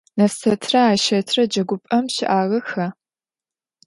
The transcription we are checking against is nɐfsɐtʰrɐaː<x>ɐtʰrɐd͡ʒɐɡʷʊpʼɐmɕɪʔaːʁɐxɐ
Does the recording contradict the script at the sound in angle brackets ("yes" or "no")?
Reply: yes